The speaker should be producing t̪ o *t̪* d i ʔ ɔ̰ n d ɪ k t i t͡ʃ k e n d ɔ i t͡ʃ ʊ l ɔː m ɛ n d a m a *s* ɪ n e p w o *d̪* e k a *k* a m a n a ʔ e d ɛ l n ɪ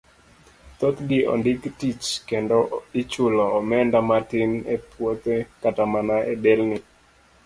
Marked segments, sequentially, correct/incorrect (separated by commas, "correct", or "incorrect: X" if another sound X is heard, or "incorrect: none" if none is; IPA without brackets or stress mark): correct, incorrect: t, incorrect: t̪, incorrect: t